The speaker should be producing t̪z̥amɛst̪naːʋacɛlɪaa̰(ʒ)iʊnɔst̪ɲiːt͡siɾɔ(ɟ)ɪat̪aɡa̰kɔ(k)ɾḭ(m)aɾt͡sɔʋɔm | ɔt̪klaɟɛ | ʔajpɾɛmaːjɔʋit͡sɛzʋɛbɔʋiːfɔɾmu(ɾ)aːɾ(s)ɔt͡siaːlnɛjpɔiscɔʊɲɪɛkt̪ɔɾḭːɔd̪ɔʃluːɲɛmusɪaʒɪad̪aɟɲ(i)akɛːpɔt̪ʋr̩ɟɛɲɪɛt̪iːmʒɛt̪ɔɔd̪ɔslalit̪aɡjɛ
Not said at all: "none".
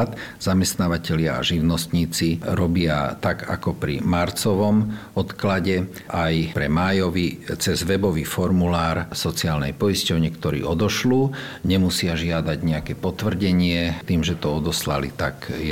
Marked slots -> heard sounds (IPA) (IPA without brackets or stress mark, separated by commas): ʒ, b, p, m, l, s, ɛ